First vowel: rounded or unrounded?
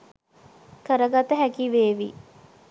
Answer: unrounded